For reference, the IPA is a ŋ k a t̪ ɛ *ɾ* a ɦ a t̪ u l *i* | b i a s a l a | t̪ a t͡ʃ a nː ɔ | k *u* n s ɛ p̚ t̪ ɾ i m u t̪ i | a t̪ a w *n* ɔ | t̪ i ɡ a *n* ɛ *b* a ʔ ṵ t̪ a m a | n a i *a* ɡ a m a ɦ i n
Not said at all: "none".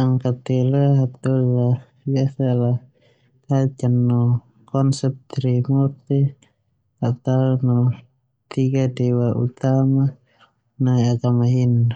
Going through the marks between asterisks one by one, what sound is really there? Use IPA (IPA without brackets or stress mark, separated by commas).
l, a, ɔ, n, d, w, a